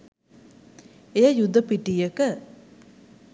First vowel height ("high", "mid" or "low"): mid